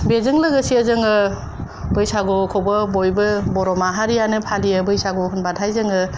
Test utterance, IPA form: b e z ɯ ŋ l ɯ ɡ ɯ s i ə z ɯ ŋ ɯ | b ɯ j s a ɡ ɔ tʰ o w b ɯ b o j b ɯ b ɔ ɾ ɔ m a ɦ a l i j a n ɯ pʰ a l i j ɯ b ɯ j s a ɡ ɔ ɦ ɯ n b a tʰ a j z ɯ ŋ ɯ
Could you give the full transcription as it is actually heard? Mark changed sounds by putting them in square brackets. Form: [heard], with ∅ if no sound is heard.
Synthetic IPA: b e z ɯ ŋ l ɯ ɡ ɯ s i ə z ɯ ŋ ɯ | b ɯ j s a ɡ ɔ [kʰ] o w b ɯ b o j b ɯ b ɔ ɾ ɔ m a ɦ a [ɾ] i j a n ɯ pʰ a l i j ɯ b ɯ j s a ɡ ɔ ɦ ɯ n b a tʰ a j z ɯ ŋ ɯ